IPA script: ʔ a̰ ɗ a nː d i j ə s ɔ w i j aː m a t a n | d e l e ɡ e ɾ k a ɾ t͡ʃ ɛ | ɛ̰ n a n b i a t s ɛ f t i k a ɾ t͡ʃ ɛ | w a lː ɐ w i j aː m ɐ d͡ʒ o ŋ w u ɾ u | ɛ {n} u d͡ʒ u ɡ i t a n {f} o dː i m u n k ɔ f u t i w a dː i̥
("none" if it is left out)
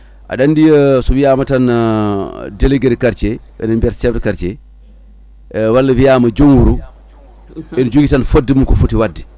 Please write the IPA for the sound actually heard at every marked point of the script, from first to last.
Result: n, f

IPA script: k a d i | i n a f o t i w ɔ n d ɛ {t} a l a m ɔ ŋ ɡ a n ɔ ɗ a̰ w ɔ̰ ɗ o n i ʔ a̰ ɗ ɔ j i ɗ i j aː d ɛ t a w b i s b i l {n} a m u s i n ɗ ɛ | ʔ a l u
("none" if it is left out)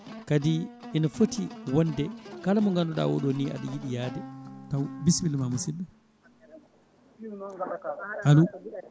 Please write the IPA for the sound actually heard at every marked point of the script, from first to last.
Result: k, m

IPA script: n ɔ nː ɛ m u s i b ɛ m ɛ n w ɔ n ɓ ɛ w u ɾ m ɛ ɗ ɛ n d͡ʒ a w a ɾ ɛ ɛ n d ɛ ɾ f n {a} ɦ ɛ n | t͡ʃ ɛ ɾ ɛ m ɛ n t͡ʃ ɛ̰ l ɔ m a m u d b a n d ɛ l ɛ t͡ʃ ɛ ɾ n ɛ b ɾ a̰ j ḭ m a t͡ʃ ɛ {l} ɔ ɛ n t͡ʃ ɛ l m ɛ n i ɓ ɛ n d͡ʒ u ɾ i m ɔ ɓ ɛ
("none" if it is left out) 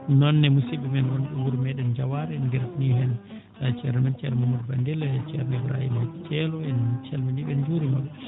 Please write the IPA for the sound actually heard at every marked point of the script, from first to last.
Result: i, l

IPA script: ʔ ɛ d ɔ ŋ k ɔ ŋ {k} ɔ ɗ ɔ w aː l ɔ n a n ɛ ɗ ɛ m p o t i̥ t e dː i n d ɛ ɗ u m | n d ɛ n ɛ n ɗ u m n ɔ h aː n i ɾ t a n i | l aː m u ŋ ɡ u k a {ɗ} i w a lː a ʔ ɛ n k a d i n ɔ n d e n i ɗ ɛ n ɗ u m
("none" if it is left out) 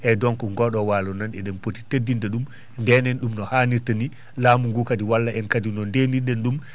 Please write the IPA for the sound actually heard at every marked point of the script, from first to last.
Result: ɡ, d

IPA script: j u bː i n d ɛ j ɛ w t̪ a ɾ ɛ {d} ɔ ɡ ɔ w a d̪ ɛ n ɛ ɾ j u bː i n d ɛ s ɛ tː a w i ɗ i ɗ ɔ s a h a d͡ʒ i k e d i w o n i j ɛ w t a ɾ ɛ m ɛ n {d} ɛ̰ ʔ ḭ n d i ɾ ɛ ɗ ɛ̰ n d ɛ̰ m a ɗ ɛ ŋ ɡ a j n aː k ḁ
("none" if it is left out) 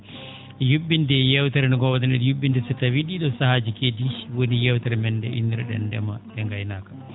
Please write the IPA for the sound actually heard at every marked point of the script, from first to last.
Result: n, d

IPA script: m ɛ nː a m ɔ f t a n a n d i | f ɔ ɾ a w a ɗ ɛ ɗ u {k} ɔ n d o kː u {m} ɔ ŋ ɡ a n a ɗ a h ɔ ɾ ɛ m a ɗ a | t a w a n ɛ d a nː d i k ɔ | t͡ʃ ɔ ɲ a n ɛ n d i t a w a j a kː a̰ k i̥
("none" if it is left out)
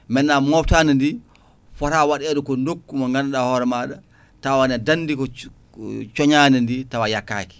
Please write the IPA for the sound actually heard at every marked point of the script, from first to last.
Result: k, m

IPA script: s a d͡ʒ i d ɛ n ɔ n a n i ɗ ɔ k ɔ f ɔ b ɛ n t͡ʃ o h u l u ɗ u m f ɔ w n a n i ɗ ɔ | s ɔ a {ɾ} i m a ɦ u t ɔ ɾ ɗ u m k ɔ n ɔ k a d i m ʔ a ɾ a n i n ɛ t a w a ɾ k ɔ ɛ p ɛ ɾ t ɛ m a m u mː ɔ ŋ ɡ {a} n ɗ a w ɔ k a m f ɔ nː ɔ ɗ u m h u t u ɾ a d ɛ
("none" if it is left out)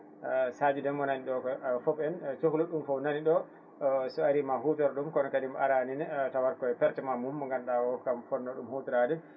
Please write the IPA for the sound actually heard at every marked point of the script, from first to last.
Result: ɾ, a

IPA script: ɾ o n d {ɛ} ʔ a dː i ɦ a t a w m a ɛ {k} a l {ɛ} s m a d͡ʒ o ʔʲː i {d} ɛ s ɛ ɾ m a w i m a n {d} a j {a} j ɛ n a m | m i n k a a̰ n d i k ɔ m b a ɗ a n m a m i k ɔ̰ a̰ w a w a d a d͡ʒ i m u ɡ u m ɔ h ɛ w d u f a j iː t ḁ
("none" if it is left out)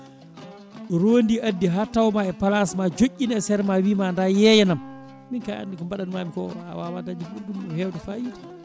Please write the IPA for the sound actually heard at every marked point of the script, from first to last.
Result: i, p, a, n, d, ɛ

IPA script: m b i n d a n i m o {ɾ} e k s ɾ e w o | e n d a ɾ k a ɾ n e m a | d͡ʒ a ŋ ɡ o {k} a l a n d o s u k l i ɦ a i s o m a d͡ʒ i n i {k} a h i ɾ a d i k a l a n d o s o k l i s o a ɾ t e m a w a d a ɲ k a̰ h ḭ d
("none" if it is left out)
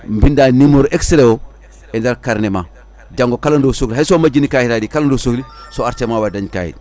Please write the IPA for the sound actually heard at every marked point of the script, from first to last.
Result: ɾ, k, k

